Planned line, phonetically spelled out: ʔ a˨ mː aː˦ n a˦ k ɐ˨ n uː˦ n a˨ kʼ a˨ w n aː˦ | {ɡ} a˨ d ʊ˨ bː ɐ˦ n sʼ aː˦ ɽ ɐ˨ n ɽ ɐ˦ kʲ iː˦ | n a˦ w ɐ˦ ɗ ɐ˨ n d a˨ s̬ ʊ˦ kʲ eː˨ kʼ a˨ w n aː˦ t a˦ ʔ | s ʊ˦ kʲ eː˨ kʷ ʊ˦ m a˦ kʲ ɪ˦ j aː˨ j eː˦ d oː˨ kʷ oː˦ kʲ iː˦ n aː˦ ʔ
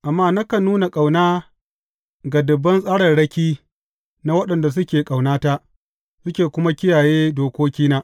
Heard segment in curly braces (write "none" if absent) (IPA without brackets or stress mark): ɡ